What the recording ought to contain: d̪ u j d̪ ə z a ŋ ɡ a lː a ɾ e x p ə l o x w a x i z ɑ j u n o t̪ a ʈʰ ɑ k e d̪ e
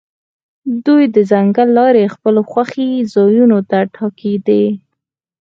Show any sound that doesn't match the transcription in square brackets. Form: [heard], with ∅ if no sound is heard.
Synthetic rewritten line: d̪ u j d̪ ə z a ŋ ɡ a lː [ɑ] ɾ e x p ə l o x w a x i z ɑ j u n o t̪ a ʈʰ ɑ k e d̪ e